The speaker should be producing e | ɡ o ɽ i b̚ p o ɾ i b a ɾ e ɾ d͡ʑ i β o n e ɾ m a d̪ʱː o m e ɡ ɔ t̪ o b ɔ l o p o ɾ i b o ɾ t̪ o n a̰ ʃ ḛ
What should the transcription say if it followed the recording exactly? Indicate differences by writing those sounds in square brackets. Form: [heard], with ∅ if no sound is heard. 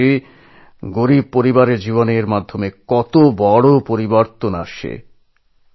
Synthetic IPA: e | ɡ o [ɾ] i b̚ p o ɾ i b a ɾ e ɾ d͡ʑ i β o n e ɾ m a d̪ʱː o m e [k] ɔ t̪ o b ɔ [ɽ] o p o ɾ i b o ɾ t̪ o n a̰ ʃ ḛ